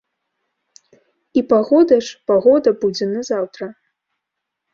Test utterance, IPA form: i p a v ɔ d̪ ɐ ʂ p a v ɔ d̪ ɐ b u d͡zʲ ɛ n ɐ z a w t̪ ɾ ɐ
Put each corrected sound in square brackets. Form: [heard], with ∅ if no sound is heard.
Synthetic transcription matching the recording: i p a [ɣ] ɔ d̪ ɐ ʂ p a [ɣ] ɔ d̪ ɐ b u d͡zʲ ɛ n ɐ z a w t̪ ɾ ɐ